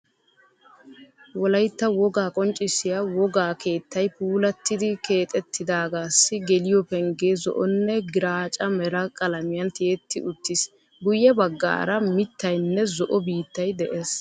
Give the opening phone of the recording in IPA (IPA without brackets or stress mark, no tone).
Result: w